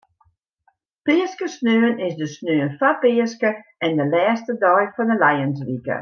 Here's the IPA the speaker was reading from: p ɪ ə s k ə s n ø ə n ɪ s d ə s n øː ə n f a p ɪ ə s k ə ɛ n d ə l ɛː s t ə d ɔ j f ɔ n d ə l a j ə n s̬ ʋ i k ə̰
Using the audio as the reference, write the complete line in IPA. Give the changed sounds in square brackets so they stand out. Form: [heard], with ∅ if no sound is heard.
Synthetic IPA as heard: p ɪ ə s k ə s n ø ə n ɪ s d ə s n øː ə n f a p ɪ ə s k ə ɛ n d ə l ɛː s t ə d ɔ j f ɔ n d ə l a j ə n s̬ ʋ i k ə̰

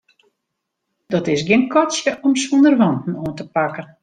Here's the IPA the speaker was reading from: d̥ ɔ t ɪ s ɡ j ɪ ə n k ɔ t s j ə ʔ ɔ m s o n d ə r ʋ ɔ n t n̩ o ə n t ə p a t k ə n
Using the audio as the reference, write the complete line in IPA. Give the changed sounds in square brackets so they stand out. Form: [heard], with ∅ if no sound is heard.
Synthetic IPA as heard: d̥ ɔ t ɪ s ɡ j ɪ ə n k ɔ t s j ə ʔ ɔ m s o n d ə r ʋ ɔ n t n̩ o ə n t ə p a [∅] k ə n

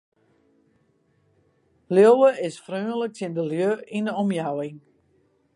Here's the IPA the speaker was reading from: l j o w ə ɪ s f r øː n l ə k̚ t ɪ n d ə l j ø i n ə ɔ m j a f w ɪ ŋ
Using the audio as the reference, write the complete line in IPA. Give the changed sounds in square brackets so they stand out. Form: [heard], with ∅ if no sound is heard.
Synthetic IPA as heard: l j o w ə ɪ s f r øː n l ə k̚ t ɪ n d ə l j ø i n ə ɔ m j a [∅] w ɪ ŋ

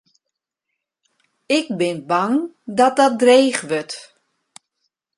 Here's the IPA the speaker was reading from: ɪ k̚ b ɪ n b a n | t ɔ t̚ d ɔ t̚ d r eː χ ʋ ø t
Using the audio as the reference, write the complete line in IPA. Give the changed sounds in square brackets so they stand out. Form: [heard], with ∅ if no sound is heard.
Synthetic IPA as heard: ɪ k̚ b ɪ n b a [ŋ] | [d] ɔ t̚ d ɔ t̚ d r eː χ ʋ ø t

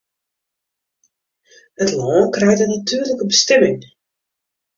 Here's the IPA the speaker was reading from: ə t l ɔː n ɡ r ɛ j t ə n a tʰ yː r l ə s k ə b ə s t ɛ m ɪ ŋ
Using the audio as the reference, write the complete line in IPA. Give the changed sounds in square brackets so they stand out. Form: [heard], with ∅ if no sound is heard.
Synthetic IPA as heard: ə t l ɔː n [k] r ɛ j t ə n a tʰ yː r l ə [∅] k ə b ə s t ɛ m ɪ ŋ

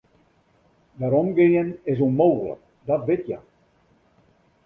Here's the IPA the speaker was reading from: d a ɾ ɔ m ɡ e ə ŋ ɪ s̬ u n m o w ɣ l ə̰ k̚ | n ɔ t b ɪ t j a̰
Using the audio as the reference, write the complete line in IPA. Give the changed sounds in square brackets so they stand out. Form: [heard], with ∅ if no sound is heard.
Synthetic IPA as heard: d a ɾ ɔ m ɡ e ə [n] ɪ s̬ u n m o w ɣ l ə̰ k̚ | [d] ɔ t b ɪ t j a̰

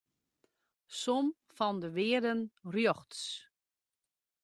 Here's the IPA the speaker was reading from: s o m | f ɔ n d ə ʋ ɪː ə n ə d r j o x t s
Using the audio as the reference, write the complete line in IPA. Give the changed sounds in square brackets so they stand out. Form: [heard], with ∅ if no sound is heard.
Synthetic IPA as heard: s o m | f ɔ n d ə ʋ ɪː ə [d] ə [n] r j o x t s

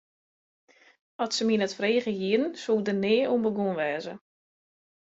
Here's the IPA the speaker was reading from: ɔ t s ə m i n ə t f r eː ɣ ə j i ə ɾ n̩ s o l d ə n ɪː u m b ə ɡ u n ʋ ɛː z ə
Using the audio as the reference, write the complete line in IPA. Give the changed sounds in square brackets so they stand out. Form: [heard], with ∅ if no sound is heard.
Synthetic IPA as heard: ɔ t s ə m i n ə t f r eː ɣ ə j i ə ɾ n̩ s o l d ə n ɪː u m b ə ɡ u n ʋ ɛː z ə

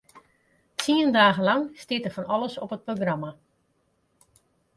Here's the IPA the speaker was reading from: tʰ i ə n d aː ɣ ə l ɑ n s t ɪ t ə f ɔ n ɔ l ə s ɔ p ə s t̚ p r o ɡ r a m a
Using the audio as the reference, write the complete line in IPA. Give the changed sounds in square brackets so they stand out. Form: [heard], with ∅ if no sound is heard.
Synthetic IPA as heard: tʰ i ə n d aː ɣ ə l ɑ [ŋ] s t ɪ t ə f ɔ n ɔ l ə s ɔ p ə [∅] t̚ p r o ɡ r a m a

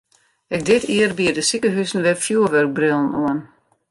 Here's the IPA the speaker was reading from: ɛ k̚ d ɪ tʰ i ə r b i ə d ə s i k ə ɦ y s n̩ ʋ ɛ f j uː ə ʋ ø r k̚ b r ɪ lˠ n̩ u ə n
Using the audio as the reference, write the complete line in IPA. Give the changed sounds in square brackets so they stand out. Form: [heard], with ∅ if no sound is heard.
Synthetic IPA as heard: ɛ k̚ d ɪ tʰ i ə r b i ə d ə s i k ə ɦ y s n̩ ʋ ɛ f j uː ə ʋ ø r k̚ b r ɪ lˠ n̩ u ə n

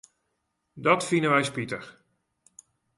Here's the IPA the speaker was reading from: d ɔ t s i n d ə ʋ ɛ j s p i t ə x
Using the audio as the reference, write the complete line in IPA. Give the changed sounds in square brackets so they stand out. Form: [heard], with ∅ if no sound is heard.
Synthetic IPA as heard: d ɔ t [f] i n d ə ʋ ɛ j s p i t ə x

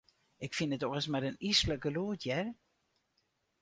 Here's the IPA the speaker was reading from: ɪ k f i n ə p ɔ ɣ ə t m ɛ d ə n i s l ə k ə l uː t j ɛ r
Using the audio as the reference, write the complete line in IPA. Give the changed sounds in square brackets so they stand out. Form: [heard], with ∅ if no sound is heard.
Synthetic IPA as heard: ɪ k f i n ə [t] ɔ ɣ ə [s] m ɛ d ə n i s l ə k ə l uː t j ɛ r

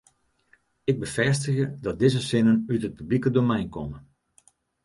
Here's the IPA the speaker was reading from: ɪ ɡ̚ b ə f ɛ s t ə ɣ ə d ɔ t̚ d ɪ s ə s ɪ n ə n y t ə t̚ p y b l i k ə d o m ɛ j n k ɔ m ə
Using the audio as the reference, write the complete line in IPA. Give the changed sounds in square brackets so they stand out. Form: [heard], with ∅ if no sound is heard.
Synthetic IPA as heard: ɪ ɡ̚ b ə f ɛ s t ə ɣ ə d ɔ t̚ d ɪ [z] ə s ɪ n ə n y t ə t̚ p y b l i k ə d o m ɛ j n k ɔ m ə

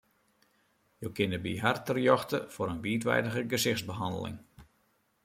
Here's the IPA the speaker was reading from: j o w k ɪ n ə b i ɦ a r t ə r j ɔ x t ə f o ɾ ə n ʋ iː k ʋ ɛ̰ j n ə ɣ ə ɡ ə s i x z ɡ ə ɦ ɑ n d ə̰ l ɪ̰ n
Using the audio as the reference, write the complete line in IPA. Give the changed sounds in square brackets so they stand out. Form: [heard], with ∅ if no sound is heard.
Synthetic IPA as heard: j o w k ɪ n ə b i ɦ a r t ə r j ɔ x t ə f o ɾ ə n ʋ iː [t] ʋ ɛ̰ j [d] ə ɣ ə ɡ ə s [ɪ] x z [b] ə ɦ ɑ n d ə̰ l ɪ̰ [ŋ]

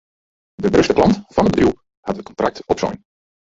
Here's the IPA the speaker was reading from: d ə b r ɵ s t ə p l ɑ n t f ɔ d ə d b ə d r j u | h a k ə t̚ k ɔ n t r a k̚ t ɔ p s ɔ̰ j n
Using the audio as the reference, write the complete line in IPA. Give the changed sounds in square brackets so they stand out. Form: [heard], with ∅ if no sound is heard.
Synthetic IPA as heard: d ə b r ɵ s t ə p l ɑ n t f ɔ [n] ə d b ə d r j u | h a [t] ə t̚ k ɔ n t r a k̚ t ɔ p s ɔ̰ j n

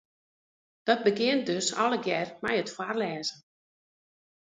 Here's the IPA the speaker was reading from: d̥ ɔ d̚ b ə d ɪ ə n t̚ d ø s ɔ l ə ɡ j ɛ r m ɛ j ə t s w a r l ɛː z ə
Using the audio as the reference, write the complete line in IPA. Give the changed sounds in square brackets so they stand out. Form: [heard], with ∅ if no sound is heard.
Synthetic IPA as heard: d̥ ɔ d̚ b ə [ɡ] ɪ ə n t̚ d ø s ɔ l ə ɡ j ɛ r m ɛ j ə t [f] w a r l ɛː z ə

